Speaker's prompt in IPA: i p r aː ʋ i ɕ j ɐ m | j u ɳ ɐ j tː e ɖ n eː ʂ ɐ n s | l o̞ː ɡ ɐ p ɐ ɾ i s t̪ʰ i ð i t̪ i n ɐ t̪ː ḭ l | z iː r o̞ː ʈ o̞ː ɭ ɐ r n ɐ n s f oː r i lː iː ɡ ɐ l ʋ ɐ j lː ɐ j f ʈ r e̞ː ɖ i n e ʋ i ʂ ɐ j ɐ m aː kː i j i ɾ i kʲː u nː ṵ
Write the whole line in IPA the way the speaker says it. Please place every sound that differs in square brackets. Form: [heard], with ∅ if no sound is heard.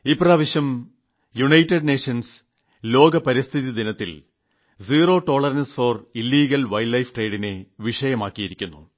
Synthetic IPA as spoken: i p r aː ʋ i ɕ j ɐ m | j u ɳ ɐ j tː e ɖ n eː ʂ ɐ n s | l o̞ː ɡ ɐ p ɐ ɾ i s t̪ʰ i ð i [d̪] i n ɐ t̪ː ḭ l | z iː r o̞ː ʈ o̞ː ɭ ɐ r n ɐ n s f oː r i lː iː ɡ ɐ l ʋ ɐ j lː ɐ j f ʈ r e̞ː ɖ i n e ʋ i ʂ ɐ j ɐ m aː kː i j i ɾ i kʲː u nː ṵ